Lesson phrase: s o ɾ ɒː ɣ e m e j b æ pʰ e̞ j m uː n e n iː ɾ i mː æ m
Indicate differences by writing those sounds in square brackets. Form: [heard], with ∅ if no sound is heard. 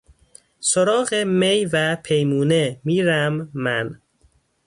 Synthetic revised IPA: s o ɾ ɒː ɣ e m e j [v] æ pʰ e̞ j m uː n e [m] iː ɾ [æ] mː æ [n]